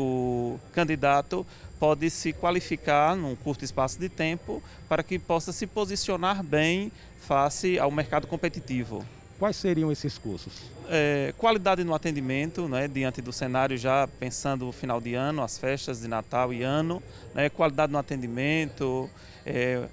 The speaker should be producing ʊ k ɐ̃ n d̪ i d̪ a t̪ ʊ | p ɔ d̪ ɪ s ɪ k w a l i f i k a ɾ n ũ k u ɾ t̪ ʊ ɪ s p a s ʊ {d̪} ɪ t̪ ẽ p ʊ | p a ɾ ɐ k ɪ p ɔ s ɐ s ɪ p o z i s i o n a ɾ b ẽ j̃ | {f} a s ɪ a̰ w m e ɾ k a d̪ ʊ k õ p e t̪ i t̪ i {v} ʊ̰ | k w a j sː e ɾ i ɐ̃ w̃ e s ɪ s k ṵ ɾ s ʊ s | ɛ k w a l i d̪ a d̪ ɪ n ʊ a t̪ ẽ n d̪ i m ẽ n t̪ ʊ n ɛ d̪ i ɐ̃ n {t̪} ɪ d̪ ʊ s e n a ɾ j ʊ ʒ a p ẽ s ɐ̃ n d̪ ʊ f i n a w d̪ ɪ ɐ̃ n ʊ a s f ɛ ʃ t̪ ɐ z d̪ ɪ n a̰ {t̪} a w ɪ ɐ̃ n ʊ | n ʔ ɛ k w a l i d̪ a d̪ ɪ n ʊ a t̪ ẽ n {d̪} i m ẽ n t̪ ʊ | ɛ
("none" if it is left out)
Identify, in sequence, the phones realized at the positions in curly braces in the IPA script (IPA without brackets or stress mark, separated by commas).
d̪, f, v, t̪, t̪, d̪